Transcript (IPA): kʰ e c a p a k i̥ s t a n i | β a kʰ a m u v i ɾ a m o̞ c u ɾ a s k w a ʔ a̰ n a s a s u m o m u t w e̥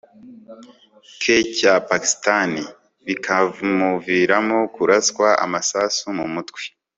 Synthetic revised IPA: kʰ e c a p a k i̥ s t a n i | β i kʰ a m u v i ɾ a m o̞ k u ɾ a s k w a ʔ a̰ m a s a s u m u m u t w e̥